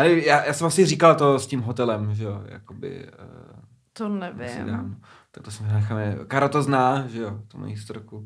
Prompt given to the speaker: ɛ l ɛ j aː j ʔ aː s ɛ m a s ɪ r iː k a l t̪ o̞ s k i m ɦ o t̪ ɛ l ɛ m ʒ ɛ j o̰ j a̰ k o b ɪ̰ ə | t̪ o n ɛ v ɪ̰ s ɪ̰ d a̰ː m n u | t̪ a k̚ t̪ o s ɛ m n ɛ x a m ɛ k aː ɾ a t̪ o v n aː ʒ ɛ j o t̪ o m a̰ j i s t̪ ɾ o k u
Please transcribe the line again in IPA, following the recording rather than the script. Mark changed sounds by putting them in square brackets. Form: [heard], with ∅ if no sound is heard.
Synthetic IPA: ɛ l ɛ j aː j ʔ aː s ɛ m a s ɪ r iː k a l t̪ o̞ s [c] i m ɦ o t̪ ɛ l ɛ m ʒ ɛ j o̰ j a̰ k o b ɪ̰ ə | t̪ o n ɛ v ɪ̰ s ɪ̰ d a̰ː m n [o] | t̪ a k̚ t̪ o s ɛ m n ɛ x a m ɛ k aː ɾ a t̪ o [z] n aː ʒ ɛ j o t̪ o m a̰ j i s t̪ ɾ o k u